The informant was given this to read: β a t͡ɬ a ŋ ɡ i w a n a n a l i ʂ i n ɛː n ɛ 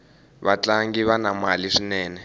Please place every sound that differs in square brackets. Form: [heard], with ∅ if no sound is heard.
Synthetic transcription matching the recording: β a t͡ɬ a ŋ ɡ i [β] a n a [m] a l i ʂ i n ɛː n ɛ